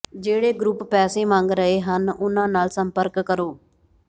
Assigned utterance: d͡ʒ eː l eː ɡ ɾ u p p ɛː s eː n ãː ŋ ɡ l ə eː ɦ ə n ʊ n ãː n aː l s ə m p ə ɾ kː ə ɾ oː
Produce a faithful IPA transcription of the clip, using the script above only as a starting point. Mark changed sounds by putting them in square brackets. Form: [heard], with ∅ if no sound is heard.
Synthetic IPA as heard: d͡ʒ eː [ɽ] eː ɡ ɾ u p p ɛː s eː [m] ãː ŋ ɡ [ɾ] ə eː ɦ ə n ʊ n ãː n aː l s ə m p ə ɾ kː ə ɾ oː